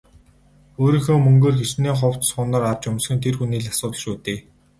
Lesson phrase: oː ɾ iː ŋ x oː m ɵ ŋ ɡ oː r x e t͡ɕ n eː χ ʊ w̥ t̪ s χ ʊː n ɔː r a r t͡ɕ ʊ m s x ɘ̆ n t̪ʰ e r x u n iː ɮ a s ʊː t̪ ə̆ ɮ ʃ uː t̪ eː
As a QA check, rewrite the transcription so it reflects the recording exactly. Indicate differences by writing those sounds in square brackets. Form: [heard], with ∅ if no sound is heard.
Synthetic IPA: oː ɾ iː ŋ x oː m ɵ ŋ ɡ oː r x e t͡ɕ n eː χ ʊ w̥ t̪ s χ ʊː n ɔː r a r t͡ɕ ʊ m s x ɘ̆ n t̪ʰ e r x u n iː ɮ a s ʊː t̪ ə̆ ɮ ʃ uː t̪ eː

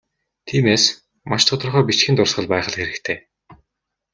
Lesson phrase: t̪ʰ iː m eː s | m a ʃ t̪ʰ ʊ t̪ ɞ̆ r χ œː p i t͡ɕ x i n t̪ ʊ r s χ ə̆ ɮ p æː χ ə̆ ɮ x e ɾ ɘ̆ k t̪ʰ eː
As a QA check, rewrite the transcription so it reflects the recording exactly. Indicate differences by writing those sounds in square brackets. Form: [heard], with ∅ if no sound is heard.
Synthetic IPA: t̪ʰ iː m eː s | m a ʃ t̪ʰ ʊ t̪ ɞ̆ r χ œː p i t͡ɕ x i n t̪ ʊ r s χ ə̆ ɮ p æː χ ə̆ ɮ x e ɾ ɘ̆ k t̪ʰ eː

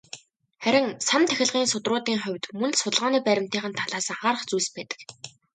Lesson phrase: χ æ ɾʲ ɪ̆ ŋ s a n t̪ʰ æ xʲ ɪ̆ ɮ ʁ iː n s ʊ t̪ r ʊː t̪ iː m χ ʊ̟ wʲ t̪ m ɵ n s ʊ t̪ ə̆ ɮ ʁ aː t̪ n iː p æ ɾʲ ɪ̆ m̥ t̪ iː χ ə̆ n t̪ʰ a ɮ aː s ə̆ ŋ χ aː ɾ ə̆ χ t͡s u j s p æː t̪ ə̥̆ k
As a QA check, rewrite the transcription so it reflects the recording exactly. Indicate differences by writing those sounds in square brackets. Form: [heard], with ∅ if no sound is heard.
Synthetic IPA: χ æ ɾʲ ɪ̆ ŋ s a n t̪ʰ æ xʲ ɪ̆ ɮ ʁ iː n s ʊ t̪ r ʊː t̪ iː [ŋ] χ ʊ̟ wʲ t̪ m ɵ n s ʊ t̪ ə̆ ɮ ʁ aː [∅] n iː p æ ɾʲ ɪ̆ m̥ t̪ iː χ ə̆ n t̪ʰ a ɮ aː s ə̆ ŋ χ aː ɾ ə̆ χ t͡s u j s p æː t̪ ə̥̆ k

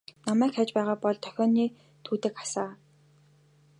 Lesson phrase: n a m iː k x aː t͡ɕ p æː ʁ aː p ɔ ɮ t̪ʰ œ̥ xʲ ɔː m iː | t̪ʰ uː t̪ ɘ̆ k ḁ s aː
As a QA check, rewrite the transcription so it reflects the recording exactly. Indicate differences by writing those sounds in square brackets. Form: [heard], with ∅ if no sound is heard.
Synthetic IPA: n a m [æː] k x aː t͡ɕ p æː ʁ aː p ɔ ɮ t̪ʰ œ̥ xʲ ɔː [n] iː | t̪ʰ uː t̪ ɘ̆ k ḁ s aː

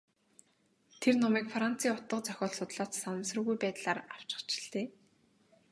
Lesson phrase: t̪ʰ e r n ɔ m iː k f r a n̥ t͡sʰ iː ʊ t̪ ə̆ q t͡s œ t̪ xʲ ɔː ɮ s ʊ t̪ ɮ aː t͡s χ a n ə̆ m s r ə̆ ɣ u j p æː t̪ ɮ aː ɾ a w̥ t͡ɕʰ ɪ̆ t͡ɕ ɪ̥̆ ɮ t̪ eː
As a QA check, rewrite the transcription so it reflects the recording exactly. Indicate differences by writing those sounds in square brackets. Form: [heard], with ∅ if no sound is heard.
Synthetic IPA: t̪ʰ e r n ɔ m iː k f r a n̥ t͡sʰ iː ʊ t̪ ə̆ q t͡s œ [∅] xʲ ɔː ɮ s ʊ t̪ ɮ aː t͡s [s] a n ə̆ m s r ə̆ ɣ u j p æː t̪ ɮ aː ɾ a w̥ [t͡ɕ] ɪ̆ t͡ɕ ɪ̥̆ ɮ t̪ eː

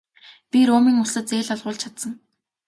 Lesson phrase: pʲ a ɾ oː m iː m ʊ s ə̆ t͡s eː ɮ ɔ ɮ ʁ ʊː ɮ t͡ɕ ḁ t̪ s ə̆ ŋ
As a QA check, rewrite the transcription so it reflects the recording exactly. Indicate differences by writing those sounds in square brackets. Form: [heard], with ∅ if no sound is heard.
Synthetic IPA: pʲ [i] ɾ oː m iː [ŋ] ʊ s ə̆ t͡s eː ɮ ɔ ɮ ʁ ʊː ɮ [t͡ɕʰ] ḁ t̪ s ə̆ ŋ

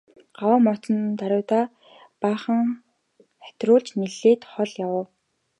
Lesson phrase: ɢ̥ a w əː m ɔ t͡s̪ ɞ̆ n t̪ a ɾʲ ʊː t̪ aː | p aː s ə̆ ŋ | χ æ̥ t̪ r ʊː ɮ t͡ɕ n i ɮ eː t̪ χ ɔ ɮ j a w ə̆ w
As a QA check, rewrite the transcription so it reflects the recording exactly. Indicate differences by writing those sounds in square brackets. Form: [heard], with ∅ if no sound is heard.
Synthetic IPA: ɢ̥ a w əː m ɔ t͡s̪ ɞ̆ n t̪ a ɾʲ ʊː t̪ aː | p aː [χ] ə̆ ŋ | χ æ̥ t̪ r ʊː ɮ t͡ɕ n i ɮ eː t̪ χ ɔ ɮ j a w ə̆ w

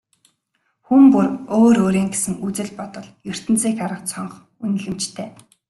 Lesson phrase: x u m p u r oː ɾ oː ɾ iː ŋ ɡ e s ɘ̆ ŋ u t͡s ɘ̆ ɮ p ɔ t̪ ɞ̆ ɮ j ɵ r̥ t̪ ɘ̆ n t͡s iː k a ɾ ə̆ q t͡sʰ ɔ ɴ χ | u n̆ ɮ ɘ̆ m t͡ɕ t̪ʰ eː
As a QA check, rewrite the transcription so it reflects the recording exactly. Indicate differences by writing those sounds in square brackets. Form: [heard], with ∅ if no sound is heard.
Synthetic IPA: x u m p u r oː ɾ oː ɾ iː ŋ ɡ e s ɘ̆ ŋ u t͡s ɘ̆ ɮ p ɔ t̪ ɞ̆ ɮ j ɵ r̥ t̪ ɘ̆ n t͡s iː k a ɾ ə̆ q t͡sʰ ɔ ɴ χ | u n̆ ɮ ɘ̆ m t͡ɕ t̪ʰ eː

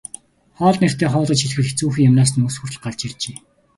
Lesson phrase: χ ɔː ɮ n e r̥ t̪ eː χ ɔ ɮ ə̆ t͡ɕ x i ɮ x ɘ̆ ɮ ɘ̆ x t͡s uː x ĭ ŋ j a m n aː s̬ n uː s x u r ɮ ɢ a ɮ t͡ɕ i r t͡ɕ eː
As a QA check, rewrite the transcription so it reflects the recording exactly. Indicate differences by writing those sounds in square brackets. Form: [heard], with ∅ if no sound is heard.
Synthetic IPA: χ ɔː ɮ n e r̥ t̪ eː χ [ɔː] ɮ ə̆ t͡ɕ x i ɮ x ɘ̆ ɮ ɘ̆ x t͡s uː x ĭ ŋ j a m n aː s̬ n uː s x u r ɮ ɢ a ɮ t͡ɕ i r t͡ɕ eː

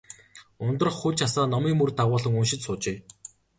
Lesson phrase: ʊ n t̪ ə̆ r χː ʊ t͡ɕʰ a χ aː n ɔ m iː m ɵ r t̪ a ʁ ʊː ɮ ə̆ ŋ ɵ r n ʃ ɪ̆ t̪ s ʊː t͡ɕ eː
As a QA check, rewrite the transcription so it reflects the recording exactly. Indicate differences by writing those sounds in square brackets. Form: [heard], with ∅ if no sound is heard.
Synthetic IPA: ʊ n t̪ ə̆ r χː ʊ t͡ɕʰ a [s] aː n ɔ m iː m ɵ r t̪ a ʁ ʊː ɮ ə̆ ŋ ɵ [∅] n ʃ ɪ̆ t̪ s ʊː t͡ɕ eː

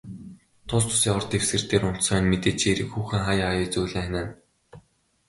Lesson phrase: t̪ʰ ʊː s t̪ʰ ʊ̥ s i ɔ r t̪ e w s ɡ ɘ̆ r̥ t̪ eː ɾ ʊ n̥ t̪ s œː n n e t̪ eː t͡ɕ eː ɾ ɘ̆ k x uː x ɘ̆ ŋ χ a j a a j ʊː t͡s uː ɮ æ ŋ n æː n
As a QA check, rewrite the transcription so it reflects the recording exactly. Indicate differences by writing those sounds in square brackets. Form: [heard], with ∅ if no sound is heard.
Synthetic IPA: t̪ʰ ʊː s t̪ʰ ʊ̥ s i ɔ r t̪ e w s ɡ ɘ̆ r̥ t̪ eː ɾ ʊ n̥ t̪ s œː n [m] e t̪ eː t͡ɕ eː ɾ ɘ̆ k x uː x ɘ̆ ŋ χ a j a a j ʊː t͡s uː ɮ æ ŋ n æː n

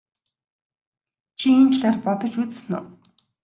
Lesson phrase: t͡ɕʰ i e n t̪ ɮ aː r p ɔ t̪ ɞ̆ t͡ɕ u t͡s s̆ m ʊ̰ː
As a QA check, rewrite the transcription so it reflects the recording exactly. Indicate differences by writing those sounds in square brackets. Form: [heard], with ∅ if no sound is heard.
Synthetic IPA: t͡ɕʰ i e n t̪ ɮ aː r p ɔ t̪ ɞ̆ t͡ɕ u t͡s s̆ [n] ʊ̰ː

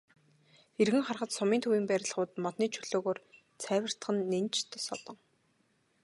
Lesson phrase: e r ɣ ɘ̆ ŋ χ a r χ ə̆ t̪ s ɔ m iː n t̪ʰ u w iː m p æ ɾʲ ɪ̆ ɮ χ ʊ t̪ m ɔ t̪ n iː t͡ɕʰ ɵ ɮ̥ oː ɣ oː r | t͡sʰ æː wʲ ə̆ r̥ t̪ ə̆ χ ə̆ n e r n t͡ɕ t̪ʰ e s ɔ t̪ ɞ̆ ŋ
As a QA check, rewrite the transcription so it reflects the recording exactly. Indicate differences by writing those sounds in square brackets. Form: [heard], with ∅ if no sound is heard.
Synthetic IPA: e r ɣ ɘ̆ ŋ χ a r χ ə̆ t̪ s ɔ m iː n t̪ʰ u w iː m p æ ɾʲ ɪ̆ ɮ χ [ʊː] t̪ m ɔ t̪ n iː t͡ɕʰ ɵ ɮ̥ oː ɣ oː r | t͡sʰ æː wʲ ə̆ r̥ t̪ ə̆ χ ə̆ [nː] e [∅] n t͡ɕ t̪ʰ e s ɔ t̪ ɞ̆ ŋ

